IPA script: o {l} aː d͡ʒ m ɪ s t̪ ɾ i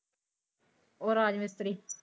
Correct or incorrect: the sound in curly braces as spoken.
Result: incorrect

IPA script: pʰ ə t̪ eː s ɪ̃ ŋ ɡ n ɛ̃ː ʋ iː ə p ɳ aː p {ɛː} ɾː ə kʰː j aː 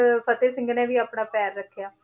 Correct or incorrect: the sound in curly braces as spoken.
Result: correct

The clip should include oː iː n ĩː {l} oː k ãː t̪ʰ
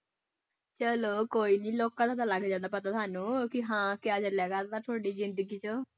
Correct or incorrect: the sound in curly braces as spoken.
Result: correct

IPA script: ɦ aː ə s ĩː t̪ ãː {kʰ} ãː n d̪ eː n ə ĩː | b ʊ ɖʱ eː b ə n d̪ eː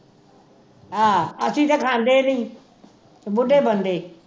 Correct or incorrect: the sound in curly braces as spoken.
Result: correct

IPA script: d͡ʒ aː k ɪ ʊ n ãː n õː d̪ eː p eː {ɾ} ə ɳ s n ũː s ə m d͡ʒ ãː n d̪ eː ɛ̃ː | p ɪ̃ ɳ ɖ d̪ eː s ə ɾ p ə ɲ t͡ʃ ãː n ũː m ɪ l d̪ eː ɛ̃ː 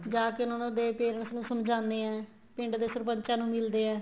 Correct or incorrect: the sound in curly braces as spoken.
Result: correct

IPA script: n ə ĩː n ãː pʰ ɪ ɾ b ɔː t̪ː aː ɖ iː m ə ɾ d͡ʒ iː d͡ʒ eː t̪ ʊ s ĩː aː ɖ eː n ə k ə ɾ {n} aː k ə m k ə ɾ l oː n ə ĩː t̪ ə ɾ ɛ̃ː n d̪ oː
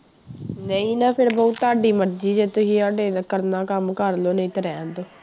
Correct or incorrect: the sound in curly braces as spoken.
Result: correct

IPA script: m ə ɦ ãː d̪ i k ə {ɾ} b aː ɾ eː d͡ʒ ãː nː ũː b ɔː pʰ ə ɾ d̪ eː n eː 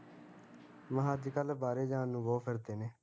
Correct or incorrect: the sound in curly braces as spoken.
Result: incorrect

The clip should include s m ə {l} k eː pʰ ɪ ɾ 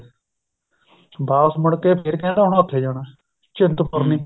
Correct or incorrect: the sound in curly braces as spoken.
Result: incorrect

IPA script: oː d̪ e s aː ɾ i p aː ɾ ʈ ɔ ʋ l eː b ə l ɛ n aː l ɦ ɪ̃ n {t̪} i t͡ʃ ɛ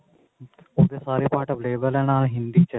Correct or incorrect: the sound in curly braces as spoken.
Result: incorrect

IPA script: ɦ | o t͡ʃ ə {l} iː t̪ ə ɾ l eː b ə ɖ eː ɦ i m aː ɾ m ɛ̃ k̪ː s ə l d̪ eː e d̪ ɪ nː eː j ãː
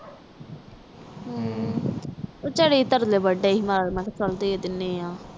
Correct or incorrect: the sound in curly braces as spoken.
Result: incorrect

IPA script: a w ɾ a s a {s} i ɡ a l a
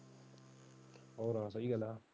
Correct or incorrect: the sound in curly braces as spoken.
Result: incorrect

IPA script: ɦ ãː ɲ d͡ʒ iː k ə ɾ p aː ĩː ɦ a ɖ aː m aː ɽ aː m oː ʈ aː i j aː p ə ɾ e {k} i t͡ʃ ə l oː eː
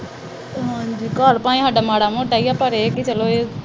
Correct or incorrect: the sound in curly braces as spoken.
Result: correct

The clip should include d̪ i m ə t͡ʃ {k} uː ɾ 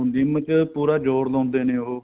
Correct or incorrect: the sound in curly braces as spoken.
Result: incorrect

